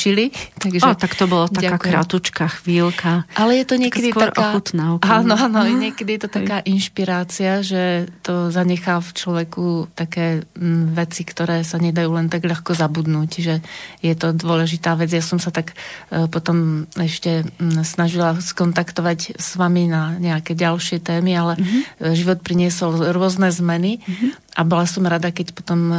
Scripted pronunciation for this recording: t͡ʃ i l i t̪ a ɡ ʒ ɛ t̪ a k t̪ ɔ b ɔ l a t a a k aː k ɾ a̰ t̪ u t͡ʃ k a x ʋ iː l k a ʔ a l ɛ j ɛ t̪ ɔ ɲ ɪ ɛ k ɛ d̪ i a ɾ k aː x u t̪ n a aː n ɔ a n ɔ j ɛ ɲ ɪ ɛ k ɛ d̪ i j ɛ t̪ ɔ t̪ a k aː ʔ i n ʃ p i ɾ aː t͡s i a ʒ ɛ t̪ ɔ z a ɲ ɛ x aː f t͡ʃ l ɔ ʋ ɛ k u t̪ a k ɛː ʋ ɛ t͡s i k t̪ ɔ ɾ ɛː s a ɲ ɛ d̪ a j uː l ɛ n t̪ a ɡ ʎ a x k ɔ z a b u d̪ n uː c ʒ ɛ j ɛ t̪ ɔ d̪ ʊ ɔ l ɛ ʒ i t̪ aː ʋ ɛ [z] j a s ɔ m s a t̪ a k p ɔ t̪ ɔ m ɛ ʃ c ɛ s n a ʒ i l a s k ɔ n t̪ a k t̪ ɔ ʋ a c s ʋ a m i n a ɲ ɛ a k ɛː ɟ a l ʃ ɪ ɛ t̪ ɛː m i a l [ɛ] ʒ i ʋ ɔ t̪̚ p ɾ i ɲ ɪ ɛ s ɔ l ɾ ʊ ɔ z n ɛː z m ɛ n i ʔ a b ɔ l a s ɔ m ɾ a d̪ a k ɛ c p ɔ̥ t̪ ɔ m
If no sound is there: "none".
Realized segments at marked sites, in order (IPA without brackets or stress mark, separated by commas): d͡z, ɛ